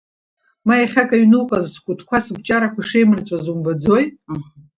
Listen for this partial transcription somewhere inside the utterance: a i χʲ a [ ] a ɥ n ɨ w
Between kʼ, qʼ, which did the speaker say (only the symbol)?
kʼ